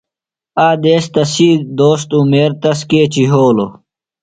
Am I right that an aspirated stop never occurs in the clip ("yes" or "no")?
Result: yes